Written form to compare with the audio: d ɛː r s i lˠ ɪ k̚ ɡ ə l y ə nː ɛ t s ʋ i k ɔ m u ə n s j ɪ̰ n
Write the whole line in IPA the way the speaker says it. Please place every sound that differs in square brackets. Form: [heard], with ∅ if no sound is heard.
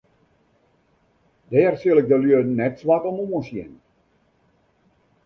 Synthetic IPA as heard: d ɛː r s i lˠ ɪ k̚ [d] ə l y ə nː ɛ t s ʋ [a] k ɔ m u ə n s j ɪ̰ n